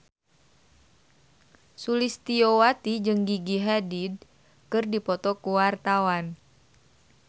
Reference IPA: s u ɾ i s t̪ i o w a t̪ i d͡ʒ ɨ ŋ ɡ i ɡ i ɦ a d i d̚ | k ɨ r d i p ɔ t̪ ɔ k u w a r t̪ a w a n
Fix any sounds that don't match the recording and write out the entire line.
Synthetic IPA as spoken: s u l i s t̪ i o w a t̪ i d͡ʒ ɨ ŋ ɡ i ɡ i ɦ a d i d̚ | k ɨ r d i p ɔ t̪ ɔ k u w a r t̪ a w a n

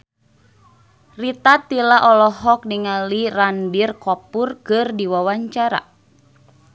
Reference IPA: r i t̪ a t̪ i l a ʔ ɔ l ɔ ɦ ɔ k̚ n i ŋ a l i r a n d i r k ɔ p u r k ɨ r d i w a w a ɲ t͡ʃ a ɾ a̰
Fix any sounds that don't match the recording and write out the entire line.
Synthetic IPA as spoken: r i t̪ a t̪ i l a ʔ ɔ l ɔ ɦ ɔ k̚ n i ŋ a l i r a n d i r k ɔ p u r k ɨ r d i w a w a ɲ t͡ʃ a ɾ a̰

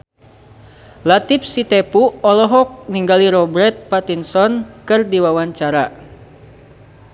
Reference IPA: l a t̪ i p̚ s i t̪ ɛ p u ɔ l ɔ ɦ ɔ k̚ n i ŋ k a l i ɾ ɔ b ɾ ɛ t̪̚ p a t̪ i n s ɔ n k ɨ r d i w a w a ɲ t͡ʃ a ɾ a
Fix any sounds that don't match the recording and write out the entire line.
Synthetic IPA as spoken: l a t̪ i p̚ s i t̪ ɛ p u ɔ l ɔ ɦ ɔ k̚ n i ŋ ɡ a l i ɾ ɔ b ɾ ɛ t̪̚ p a t̪ i n s ɔ n k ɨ r d i w a w a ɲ t͡ʃ a ɾ a

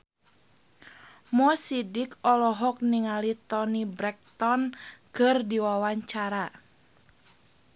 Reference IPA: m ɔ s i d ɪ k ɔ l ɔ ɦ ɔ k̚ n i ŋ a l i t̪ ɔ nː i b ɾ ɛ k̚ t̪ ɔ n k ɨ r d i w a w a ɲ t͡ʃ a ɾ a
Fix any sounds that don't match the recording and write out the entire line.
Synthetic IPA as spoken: m ɔ s i d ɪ k ɔ l ɔ ɦ ɔ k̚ n i ŋ a l i t̪ ɔ n i b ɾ ɛ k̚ t̪ ɔ n k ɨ r d i w a w a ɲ t͡ʃ a ɾ a

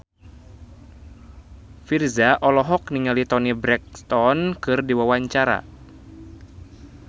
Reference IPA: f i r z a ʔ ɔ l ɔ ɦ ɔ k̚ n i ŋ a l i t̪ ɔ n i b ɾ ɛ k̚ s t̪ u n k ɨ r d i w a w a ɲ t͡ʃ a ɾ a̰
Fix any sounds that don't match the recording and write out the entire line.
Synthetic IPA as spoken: f i r z a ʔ ɔ l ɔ ɦ ɔ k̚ n i ŋ a l i t̪ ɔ n i b ɾ ɛ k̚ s t̪ ɔ n k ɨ r d i w a w a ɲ t͡ʃ a ɾ a̰

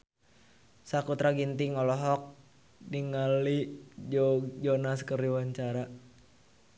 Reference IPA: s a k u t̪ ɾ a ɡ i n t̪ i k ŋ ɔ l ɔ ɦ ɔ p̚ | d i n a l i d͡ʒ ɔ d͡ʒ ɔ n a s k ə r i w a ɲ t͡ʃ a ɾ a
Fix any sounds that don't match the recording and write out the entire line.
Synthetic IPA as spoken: s a k u t̪ ɾ a ɡ i n t̪ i ŋ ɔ l ɔ ɦ ɔ k̚ | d i ŋ a l i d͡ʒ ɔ d͡ʒ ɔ n a s k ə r i w a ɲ t͡ʃ a ɾ a

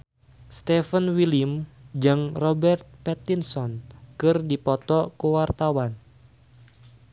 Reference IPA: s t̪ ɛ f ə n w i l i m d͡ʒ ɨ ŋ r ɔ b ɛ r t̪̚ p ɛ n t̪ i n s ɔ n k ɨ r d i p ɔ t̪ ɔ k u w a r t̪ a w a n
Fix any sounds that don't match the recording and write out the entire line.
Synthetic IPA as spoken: s t̪ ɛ f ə n w i l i m d͡ʒ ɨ ŋ r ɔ b ɛ r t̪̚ p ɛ t̪ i n s ɔ n k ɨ r d i p ɔ t̪ ɔ k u w a r t̪ a w a n

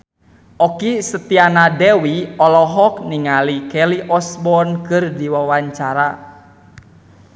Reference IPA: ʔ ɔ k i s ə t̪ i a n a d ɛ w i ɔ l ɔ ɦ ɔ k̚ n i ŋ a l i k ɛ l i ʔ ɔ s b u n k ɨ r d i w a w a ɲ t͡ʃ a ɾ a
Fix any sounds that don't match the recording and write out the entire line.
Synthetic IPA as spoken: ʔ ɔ k i s ə t̪ i a n a d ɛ w i ɔ l ɔ ɦ ɔ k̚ n i ŋ a l i k ɛ l i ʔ ɔ s b ɔ n k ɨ r d i w a w a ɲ t͡ʃ a ɾ a

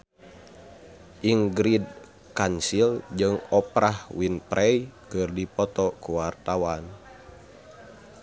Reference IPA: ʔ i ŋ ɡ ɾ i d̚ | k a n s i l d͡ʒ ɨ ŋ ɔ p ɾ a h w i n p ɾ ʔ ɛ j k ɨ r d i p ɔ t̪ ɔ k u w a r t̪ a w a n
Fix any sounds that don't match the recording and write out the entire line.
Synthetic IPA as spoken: ʔ i ŋ ɡ ɾ i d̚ | k a n s i l d͡ʒ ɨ ŋ ɔ p ɾ a h w i n p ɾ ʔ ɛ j k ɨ r d i p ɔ t̪ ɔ k u w a r t̪ a w a n

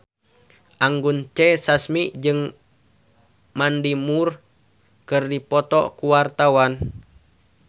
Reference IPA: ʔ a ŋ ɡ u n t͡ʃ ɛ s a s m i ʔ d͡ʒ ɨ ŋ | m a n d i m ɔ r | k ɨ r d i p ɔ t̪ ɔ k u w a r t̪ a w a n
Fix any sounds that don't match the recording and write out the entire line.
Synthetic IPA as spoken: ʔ a ŋ ɡ u n t͡ʃ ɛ s a s m i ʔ d͡ʒ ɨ ŋ | m a n d i m u r | k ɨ r d i p ɔ t̪ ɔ k u w a r t̪ a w a n

